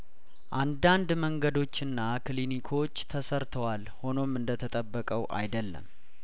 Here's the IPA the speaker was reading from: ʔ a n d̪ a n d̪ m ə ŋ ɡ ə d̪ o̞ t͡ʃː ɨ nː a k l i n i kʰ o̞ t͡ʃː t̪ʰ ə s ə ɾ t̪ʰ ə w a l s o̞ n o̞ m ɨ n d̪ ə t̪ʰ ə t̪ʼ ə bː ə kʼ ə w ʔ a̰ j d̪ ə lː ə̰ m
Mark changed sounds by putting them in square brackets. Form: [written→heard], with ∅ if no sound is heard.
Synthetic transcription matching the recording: ʔ a n d̪ a n d̪ m ə ŋ ɡ ə d̪ o̞ t͡ʃː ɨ nː a k l i n i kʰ o̞ t͡ʃː t̪ʰ ə s ə ɾ t̪ʰ ə w a l [s→h] o̞ n o̞ m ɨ n d̪ ə t̪ʰ ə t̪ʼ ə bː ə kʼ ə w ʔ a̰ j d̪ ə lː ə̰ m